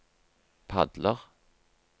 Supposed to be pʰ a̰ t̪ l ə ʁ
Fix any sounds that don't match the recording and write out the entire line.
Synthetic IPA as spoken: pʰ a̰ d̪ l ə ʁ

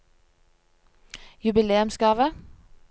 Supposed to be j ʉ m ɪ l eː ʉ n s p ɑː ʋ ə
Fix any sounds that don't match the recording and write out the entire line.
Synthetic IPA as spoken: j ʉ b ɪ l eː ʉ m s k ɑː ʋ ə

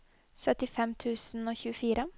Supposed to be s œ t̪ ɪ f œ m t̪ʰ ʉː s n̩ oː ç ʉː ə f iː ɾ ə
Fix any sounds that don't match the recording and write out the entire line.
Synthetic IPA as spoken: s œ t̪ ɪ f ɛ m t̪ʰ ʉː s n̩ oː ç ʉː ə f iː ɾ ə

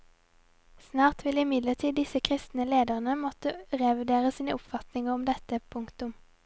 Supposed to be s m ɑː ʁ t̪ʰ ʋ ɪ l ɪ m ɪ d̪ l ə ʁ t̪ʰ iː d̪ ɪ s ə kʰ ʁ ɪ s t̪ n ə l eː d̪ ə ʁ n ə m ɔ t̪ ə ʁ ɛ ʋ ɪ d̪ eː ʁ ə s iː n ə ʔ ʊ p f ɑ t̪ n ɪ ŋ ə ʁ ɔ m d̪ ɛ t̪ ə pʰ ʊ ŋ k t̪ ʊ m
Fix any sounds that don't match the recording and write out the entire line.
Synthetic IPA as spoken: s n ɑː ʁ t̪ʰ ʋ ɪ l ɪ m ɪ d̪ l ə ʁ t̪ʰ iː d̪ ɪ s ə kʰ ʁ ɪ s t̪ n ə l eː d̪ ə ʁ n ə m ɔ t̪ ə ʁ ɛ ʋ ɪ d̪ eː ʁ ə s iː n ə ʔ ʊ p f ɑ t̪ n ɪ ŋ ə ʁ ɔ m d̪ ɛ t̪ ə pʰ ʊ ŋ k t̪ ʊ m

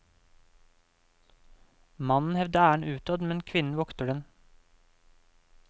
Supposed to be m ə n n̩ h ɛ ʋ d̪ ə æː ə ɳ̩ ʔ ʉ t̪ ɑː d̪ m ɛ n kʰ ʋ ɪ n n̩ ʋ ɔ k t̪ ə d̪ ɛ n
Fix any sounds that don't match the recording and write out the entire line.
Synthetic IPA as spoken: m ɑ n n̩ h ɛ ʋ d̪ ə æː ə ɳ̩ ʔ ʉː t̪ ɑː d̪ m ɛ n kʰ ʋ ɪ n n̩ ʋ ɔ k t̪ ə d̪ ɛ n

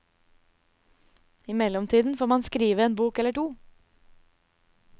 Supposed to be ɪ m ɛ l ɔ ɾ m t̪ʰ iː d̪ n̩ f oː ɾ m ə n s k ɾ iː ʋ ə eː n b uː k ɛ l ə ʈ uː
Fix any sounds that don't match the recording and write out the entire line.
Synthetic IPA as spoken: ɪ m ɛ l ɔ m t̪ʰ iː d̪ n̩ f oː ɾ m ɑ n s k ɾ iː ʋ ə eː n b uː k ɛ l ə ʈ uː

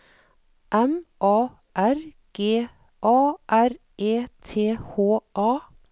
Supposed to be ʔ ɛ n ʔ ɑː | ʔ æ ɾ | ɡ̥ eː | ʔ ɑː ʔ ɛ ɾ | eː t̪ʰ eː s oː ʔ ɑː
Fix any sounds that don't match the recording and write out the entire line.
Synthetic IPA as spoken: ʔ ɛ m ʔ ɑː | ʔ æ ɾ | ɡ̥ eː | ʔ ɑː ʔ æ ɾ | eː t̪ʰ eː h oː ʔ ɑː

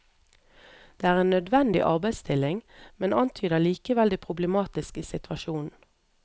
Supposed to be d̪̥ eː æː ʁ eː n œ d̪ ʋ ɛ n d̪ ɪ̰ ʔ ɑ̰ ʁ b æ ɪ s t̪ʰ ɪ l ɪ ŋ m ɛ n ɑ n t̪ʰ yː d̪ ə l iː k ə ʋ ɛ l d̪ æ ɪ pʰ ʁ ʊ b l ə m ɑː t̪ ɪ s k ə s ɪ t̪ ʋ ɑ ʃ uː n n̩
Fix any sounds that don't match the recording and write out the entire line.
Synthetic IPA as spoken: d̪̥ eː æː ʁ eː n œ d̪ ʋ ɛ n d̪ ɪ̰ ʔ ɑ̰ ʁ b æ ɪ s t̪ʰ ɪ l ɪ ŋ m ɛ n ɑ n t̪ʰ yː d̪ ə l iː k ə ʋ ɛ l d̪ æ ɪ pʰ ʁ ʊ b l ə m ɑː t̪ ɪ s k ə s ɪ t̪ ʋ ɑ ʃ uː n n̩

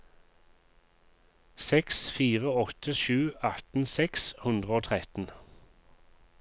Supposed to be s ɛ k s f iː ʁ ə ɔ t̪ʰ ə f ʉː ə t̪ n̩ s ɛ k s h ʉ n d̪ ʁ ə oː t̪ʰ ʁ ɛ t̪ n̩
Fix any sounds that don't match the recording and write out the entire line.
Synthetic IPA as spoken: s ɛ k s f iː ʁ ə ɔ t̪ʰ ə ʃ ʉː ɑ t̪ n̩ s ɛ k s h ʉ n d̪ ʁ ə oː t̪ʰ ʁ ɛ t̪ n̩

